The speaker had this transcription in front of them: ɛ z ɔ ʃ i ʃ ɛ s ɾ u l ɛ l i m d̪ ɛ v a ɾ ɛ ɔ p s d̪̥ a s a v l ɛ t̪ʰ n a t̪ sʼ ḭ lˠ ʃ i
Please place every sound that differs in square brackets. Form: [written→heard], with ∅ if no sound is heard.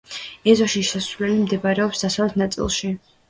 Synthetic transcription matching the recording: ɛ z ɔ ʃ i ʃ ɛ s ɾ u l ɛ l i m d̪ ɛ [v→b] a ɾ ɛ ɔ p s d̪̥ a s a v l ɛ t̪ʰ n a t̪ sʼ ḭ lˠ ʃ i